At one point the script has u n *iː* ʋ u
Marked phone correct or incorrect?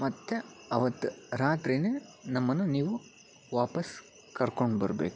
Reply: correct